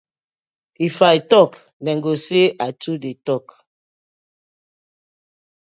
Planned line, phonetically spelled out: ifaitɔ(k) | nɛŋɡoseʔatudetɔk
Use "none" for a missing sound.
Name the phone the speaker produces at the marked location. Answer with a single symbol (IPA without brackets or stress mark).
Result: k